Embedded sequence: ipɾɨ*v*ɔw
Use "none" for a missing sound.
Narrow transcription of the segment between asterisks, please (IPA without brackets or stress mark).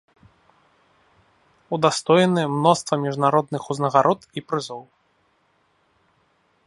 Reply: z